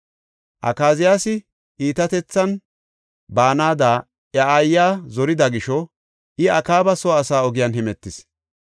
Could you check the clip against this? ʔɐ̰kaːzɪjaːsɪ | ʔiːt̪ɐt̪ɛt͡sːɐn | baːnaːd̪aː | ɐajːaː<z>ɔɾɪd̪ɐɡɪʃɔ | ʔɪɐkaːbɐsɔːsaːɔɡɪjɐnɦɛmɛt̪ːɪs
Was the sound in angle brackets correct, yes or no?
yes